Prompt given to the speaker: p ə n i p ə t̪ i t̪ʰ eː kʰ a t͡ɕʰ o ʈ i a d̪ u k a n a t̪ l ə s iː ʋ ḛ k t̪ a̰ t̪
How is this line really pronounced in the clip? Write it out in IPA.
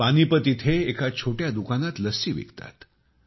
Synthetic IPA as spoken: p a n i p ə t̪ i t̪ʰ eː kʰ a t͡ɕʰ o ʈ j a d̪ u k a n a t̪ l ə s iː ʋ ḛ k t̪ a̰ t̪